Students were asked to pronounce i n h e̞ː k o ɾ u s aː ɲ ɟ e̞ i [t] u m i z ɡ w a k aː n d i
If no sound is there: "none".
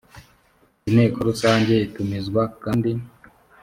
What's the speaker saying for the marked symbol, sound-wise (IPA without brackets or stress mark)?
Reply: t